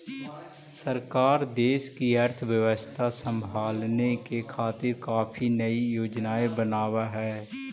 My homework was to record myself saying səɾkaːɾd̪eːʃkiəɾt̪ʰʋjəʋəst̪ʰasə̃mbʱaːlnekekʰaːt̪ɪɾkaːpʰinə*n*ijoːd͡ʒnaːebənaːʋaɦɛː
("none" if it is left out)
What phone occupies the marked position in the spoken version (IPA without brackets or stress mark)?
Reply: none